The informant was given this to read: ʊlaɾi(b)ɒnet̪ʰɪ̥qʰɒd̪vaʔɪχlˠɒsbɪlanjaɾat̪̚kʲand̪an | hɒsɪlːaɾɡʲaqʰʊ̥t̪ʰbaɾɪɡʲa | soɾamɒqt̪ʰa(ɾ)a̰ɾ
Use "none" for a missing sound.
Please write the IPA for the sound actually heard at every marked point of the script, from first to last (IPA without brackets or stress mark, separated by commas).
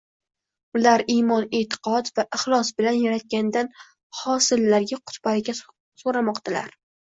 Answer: m, l